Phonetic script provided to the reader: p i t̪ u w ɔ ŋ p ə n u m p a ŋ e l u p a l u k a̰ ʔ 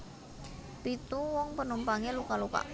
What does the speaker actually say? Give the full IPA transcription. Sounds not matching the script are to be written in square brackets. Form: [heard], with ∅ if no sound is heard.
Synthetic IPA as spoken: p i t̪ u w ɔ ŋ p ə n u m p a ŋ e l u [k] a l u k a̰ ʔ